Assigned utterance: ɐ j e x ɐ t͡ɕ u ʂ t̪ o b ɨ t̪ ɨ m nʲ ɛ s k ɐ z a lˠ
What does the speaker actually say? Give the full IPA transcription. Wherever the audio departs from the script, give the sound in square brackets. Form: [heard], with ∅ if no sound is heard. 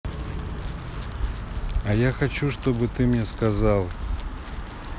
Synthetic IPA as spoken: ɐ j [a] x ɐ t͡ɕ u ʂ t̪ o b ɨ t̪ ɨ m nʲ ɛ s k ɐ z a lˠ